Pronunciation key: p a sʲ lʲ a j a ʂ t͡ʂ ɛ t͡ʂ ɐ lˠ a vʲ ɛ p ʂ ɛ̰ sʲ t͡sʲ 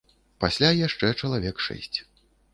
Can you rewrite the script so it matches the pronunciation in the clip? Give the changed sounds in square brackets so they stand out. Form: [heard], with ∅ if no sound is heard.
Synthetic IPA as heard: p a sʲ lʲ a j a ʂ t͡ʂ ɛ t͡ʂ ɐ lˠ a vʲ ɛ [k] ʂ ɛ̰ sʲ t͡sʲ